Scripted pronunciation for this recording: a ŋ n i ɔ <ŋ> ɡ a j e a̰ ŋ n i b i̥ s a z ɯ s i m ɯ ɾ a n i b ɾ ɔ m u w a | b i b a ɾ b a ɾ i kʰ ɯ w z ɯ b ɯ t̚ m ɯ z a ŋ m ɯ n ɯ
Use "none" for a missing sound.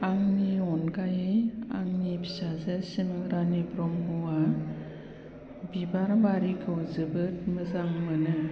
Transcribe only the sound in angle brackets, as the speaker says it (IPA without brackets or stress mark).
n